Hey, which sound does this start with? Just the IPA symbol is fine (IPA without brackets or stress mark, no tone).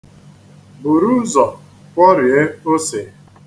b